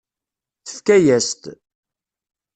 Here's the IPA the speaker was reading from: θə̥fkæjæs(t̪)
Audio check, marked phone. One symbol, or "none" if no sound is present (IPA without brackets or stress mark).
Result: t̪